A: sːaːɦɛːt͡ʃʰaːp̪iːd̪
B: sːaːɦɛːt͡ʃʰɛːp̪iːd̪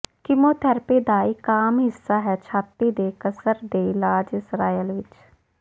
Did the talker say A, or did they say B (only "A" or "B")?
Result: A